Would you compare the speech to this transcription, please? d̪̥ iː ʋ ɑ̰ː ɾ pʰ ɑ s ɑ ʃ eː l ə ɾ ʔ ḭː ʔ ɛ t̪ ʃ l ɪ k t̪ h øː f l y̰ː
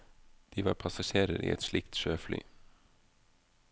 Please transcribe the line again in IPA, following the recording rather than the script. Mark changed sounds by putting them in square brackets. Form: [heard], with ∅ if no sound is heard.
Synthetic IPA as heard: d̪̥ iː ʋ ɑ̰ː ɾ pʰ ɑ s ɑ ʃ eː [ɾ] ə ɾ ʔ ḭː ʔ ɛ t̪ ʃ l ɪ k t̪ [ʃ] øː f l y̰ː